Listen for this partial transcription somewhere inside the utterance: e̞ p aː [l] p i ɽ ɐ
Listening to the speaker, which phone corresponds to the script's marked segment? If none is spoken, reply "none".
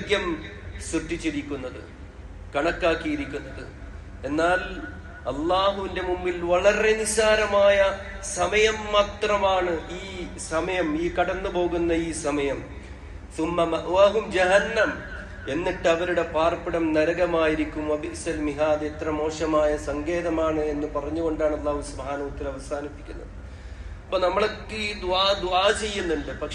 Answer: r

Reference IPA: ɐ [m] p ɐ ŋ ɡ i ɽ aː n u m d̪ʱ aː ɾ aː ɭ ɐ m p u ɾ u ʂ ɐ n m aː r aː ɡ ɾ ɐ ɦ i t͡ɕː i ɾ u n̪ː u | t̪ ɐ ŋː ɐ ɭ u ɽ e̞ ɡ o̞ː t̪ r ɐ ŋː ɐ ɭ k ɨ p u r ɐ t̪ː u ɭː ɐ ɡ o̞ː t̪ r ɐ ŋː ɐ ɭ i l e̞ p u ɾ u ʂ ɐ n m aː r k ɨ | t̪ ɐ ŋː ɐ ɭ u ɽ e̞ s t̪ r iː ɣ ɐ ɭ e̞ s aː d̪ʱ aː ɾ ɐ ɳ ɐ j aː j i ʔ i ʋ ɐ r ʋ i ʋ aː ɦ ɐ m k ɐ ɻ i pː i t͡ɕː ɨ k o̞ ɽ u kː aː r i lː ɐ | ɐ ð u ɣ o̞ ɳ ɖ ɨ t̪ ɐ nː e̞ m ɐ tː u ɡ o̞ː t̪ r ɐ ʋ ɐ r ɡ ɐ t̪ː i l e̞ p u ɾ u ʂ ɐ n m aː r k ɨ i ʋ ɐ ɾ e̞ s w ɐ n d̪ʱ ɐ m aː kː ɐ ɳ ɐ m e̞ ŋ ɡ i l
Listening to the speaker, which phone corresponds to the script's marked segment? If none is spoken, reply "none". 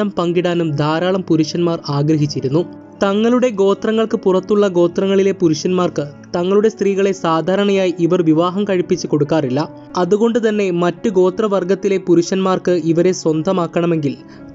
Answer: m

